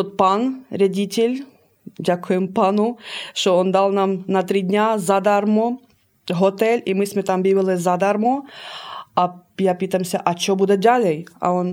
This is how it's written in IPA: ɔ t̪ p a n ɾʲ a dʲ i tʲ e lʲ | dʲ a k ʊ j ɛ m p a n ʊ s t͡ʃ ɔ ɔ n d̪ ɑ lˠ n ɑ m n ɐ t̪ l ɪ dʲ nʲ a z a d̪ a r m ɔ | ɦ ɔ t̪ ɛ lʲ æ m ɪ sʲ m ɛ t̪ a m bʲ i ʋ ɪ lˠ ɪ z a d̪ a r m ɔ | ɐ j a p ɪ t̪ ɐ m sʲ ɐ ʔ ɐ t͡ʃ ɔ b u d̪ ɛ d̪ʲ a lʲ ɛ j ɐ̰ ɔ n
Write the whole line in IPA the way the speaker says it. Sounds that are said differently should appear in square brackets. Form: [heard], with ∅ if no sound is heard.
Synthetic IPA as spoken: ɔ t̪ p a n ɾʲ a dʲ i tʲ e lʲ | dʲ a k ʊ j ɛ m p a n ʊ [ʃ] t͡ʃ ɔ ɔ n d̪ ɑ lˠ n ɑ m n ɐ t̪ [ɾ] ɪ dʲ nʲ a z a d̪ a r m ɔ | ɦ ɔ t̪ ɛ lʲ [i] m ɪ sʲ m ɛ t̪ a m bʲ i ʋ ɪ lˠ ɪ z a d̪ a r m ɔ | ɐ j a p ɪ t̪ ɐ m sʲ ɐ ʔ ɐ t͡ʃ ɔ b u d̪ ɛ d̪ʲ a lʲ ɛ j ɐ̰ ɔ n